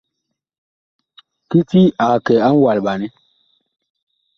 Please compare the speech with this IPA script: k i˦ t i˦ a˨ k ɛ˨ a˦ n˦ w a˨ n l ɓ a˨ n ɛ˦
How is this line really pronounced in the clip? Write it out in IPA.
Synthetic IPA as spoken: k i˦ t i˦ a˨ k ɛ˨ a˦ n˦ w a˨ l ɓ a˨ n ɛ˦